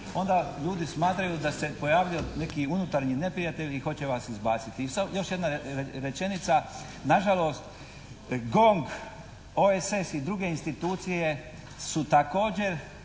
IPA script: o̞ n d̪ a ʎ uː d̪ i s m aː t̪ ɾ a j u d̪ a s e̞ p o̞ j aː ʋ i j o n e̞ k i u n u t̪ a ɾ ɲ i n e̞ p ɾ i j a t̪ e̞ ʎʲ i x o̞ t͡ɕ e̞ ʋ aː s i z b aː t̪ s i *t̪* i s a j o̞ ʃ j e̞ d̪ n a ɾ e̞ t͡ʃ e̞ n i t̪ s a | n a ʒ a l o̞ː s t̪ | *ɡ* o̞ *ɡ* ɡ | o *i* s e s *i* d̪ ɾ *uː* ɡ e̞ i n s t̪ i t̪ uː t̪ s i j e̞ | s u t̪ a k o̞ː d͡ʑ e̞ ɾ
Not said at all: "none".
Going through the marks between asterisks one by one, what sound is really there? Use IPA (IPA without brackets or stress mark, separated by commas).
t̪, ɡ, ŋ, e, i, u